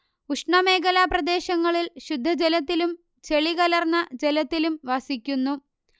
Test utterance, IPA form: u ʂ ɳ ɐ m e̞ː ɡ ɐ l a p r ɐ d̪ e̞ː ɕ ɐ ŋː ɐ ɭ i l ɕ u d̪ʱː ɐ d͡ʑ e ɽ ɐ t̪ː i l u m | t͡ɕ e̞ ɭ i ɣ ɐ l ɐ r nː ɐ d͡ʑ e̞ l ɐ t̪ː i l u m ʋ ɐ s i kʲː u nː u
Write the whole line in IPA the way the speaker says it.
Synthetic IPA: u ʂ ɳ ɐ m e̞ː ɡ ɐ l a p r ɐ d̪ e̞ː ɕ ɐ ŋː ɐ ɭ i l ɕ u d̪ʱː ɐ d͡ʑ e l ɐ t̪ː i l u m | t͡ɕ e̞ ɭ i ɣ ɐ l ɐ r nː ɐ d͡ʑ e̞ l ɐ t̪ː i l u m ʋ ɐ s i kʲː u nː u